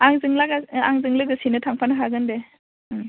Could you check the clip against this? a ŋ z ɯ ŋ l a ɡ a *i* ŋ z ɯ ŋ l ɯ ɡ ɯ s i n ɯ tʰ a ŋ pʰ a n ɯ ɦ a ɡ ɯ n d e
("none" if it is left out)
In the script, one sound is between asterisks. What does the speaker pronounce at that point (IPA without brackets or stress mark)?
a